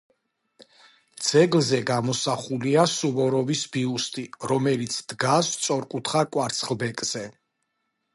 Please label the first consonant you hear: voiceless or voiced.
voiced